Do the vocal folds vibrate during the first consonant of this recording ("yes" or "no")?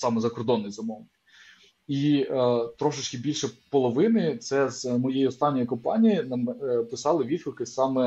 no